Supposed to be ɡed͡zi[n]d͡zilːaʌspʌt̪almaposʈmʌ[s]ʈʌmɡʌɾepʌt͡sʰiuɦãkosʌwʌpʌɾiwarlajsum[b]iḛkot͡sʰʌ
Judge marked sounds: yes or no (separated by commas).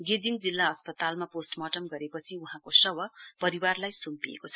no, no, no